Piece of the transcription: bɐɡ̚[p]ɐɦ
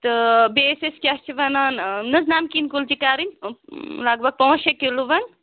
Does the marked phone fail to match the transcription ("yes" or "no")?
no